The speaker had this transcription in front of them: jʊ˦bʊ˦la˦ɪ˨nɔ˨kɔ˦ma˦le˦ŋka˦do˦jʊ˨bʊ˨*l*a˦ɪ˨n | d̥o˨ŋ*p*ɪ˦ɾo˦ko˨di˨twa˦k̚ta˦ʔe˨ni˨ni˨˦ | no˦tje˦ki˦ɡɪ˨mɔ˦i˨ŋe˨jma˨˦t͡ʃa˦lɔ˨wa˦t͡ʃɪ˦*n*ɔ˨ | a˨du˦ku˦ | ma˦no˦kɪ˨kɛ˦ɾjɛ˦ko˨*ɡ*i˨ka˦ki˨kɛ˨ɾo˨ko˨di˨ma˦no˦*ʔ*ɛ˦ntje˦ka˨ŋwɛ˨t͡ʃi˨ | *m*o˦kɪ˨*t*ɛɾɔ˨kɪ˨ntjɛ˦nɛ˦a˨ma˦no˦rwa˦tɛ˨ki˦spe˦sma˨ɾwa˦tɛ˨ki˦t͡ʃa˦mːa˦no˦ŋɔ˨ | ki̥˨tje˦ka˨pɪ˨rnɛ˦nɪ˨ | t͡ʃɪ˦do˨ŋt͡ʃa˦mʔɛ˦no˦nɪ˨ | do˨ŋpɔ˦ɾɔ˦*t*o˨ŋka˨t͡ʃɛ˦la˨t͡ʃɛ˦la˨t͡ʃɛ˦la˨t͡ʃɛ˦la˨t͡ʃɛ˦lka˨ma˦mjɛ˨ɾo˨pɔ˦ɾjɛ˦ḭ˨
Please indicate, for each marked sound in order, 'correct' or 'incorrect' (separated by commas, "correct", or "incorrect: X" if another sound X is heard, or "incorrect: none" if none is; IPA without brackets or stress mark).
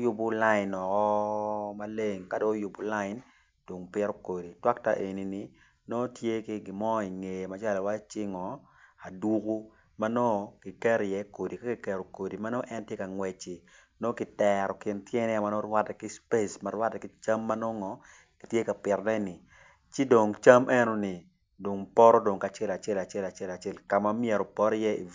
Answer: correct, correct, incorrect: ŋ, incorrect: d, correct, incorrect: n, correct, incorrect: d